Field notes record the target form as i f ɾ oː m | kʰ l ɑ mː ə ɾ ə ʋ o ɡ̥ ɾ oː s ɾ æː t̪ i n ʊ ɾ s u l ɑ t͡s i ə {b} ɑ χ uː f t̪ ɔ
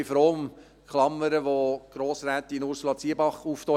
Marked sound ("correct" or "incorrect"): correct